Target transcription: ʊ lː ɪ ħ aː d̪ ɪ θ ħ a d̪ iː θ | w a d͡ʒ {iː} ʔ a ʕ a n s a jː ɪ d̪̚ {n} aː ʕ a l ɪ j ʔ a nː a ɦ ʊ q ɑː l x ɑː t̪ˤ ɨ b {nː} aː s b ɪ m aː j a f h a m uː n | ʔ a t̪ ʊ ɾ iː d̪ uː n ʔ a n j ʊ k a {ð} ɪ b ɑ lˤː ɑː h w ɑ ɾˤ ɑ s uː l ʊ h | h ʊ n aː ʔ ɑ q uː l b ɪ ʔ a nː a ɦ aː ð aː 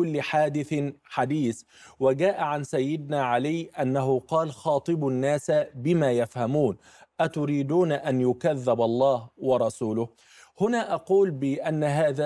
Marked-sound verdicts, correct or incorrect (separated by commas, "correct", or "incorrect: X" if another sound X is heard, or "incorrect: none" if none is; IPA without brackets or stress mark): incorrect: aː, correct, correct, incorrect: ðː